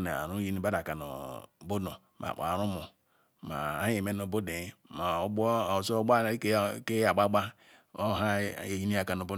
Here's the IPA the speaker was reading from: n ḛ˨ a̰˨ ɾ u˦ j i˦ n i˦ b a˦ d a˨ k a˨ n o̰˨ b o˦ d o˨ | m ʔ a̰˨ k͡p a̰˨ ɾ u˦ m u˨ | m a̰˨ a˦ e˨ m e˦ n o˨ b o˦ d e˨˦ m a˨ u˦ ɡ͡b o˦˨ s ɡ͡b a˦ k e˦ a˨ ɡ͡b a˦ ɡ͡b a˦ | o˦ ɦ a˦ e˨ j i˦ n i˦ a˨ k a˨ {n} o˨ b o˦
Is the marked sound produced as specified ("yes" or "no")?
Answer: yes